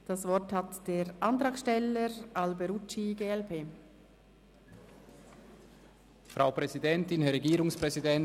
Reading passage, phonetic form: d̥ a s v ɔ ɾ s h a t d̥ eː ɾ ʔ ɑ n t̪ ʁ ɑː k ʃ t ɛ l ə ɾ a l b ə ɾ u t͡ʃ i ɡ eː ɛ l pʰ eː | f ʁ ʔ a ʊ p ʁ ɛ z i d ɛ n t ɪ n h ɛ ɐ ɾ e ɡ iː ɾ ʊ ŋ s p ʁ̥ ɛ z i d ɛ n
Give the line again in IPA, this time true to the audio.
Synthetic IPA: d̥ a s v ɔ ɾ t h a t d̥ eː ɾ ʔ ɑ n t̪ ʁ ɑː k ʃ t ɛ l ə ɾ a l b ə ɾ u t͡ʃ i ɡ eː ɛ l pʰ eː | f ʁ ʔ a ʊ p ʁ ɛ z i d ɛ n t ɪ n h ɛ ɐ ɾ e ɡ iː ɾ ʊ ŋ s p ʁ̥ ɛ z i d ɛ n